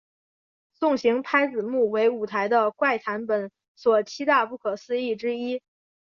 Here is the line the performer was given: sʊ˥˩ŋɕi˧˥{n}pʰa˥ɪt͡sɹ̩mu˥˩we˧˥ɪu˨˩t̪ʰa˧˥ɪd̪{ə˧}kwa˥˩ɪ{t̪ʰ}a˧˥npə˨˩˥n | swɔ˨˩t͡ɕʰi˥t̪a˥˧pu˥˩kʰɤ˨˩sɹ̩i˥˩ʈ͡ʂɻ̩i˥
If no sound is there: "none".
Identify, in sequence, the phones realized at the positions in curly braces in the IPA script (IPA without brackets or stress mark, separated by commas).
ŋ, ə˧, t̪ʰ